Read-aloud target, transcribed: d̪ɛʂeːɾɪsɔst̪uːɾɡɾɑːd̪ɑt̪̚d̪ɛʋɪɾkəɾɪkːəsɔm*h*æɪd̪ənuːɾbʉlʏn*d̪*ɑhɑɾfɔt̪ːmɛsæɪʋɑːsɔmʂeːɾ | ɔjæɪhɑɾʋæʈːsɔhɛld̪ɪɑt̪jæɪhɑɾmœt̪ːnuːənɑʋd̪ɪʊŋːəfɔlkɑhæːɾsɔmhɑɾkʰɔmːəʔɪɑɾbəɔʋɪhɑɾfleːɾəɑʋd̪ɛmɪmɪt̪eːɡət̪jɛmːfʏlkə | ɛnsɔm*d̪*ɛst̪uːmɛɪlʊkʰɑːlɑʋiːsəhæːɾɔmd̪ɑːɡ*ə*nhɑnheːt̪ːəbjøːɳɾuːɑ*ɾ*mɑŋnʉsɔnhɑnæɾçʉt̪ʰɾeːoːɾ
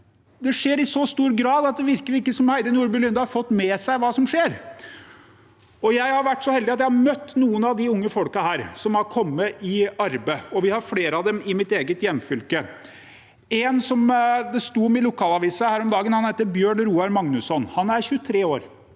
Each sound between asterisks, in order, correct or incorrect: correct, correct, correct, correct, correct

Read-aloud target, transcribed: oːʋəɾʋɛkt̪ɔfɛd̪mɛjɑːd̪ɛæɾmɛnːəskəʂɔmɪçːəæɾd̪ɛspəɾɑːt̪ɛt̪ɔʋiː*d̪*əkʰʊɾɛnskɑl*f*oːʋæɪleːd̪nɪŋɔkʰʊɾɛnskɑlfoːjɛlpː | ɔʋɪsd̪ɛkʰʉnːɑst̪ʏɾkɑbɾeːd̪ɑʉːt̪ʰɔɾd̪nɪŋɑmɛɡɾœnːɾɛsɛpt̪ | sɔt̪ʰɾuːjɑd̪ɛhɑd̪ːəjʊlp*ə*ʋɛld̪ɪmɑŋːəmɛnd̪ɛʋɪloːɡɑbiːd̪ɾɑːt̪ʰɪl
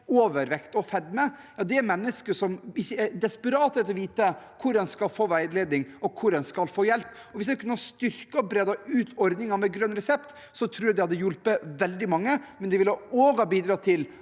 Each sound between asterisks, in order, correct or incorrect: incorrect: t̪, correct, correct

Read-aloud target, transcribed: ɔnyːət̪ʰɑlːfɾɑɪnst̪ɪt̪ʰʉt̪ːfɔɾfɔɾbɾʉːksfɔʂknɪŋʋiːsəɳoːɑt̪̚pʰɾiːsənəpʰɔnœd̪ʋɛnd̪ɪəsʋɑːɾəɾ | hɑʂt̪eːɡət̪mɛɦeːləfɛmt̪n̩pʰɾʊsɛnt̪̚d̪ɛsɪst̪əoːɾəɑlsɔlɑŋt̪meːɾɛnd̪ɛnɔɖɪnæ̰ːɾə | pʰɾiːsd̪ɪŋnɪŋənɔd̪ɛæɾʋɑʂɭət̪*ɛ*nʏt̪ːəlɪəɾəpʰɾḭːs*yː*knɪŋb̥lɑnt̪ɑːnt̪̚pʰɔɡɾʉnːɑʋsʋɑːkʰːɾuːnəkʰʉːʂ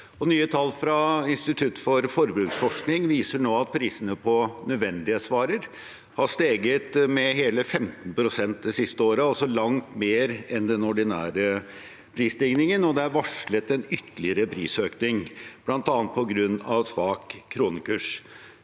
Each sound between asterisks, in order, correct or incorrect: correct, incorrect: øː

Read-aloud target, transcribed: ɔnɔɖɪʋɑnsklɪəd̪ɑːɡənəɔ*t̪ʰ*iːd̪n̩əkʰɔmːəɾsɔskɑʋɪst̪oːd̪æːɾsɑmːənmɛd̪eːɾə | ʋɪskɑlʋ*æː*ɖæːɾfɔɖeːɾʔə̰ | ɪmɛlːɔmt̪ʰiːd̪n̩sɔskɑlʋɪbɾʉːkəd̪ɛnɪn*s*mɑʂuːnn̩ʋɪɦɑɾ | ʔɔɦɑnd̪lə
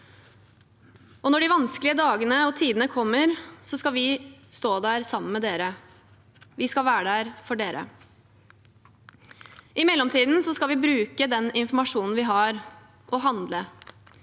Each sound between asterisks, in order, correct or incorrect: correct, correct, incorrect: f

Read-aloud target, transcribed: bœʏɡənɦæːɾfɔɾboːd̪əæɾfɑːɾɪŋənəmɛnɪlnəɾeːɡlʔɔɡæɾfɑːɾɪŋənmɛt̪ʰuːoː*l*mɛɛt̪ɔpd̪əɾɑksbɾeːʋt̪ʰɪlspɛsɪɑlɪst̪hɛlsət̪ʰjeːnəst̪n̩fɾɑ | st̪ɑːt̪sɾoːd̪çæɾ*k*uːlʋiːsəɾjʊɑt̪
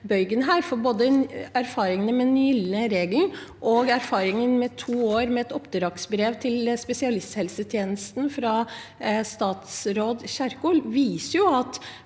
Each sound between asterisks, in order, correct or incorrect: incorrect: ɾ, correct

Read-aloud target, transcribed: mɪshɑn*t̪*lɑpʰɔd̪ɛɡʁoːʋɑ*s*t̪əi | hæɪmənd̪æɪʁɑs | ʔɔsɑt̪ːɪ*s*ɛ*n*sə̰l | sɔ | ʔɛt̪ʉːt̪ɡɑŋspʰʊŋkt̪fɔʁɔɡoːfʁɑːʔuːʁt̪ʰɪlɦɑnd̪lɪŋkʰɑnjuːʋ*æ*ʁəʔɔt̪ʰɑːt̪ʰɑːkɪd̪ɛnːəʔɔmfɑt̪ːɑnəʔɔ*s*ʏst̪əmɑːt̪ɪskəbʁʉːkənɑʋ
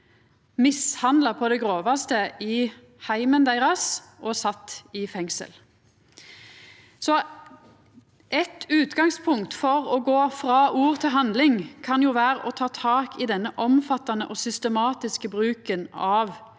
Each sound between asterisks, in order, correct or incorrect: incorrect: d̪, correct, incorrect: f, incorrect: ŋ, incorrect: æː, correct

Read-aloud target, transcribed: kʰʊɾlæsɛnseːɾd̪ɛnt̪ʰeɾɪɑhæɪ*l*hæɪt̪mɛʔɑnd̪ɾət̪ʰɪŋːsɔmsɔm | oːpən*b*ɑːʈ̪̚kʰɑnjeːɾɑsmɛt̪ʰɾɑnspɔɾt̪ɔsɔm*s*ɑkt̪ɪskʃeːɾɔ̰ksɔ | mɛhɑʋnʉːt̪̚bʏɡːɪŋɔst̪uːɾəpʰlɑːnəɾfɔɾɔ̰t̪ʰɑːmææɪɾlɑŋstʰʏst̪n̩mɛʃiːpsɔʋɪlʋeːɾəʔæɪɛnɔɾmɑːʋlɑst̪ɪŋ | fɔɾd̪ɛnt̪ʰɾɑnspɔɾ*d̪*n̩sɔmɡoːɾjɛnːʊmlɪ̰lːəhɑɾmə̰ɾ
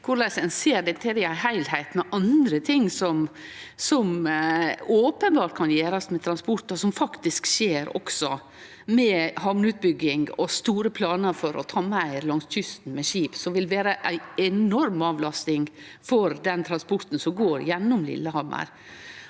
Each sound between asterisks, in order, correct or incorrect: correct, correct, incorrect: f, incorrect: t̪

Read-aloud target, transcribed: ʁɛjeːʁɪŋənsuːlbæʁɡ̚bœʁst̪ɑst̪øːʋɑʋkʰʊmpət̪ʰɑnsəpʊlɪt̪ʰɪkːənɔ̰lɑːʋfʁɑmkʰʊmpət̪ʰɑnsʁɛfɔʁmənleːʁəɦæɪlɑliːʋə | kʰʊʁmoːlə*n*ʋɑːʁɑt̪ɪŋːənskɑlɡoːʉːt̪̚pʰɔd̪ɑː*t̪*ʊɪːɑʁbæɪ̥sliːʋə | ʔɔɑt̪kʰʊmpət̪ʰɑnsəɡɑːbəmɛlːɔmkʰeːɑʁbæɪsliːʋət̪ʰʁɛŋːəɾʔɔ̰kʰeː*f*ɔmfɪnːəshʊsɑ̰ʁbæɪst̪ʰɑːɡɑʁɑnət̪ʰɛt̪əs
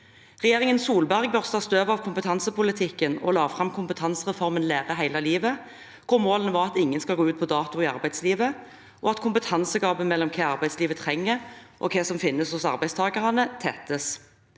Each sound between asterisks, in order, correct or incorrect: correct, correct, incorrect: s

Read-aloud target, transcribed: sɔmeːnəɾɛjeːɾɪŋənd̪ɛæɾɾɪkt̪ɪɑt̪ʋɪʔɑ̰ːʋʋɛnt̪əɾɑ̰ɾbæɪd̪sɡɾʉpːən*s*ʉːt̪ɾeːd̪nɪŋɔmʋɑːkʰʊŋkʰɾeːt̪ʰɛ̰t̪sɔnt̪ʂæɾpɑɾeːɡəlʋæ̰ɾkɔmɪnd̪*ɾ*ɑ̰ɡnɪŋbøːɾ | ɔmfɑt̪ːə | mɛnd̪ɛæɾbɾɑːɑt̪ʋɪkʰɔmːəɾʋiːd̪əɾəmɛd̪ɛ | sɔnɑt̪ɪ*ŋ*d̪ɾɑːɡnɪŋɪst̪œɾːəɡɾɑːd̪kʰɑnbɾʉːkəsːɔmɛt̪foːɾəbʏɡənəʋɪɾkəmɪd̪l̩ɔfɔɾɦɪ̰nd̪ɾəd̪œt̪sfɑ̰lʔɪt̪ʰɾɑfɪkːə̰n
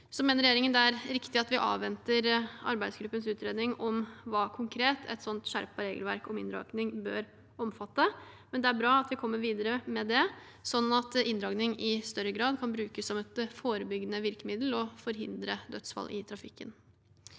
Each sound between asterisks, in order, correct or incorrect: correct, correct, incorrect: n

